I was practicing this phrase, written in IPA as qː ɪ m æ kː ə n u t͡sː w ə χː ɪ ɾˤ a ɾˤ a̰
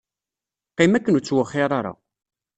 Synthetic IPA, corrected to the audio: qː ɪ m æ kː ə n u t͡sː w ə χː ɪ ɾˤ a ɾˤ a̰